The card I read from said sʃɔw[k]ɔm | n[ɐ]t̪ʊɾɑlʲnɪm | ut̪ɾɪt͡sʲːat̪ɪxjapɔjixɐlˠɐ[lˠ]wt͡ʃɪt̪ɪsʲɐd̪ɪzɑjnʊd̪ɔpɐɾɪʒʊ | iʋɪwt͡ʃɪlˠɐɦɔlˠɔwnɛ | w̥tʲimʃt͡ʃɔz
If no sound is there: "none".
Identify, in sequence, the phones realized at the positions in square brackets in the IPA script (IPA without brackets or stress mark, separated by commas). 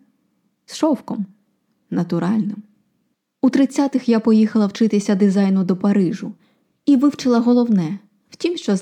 k, ɐ, none